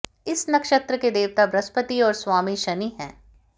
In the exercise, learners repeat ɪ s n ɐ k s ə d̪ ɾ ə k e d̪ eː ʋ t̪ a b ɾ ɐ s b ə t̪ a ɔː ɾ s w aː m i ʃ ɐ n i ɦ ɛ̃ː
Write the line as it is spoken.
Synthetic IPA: ɪ s n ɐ k ʃ ə t̪ ɾ ə k e d̪ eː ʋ t̪ a b ɾ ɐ s p ə t̪ i ɔː ɾ s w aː m i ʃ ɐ n i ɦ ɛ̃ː